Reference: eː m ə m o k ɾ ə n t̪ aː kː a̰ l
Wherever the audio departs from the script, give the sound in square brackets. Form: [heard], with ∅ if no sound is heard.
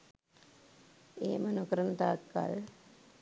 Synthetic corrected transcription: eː m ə [n] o k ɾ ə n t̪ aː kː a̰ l